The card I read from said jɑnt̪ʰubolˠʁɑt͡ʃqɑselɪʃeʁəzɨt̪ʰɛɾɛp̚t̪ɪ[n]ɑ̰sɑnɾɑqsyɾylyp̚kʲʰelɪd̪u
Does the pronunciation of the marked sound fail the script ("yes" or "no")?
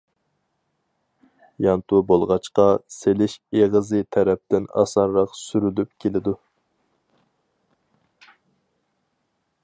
no